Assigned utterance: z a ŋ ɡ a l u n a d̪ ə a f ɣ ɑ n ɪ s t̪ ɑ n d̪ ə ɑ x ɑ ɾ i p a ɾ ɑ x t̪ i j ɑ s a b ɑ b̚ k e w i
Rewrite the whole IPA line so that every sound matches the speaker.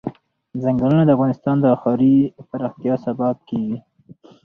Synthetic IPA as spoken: z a ŋ ɡ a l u n a d̪ ə a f ɣ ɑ n ɪ s t̪ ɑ n d̪ ə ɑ x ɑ ɾ i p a ɾ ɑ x t̪ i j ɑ s a b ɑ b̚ k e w i